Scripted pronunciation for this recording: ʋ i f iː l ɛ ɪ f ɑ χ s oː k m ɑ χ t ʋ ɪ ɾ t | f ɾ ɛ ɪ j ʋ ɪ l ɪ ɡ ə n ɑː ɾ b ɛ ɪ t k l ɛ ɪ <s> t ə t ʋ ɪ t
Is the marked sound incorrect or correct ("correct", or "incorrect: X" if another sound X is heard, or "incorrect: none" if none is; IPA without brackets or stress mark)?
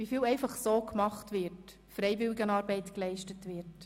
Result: incorrect: ʃ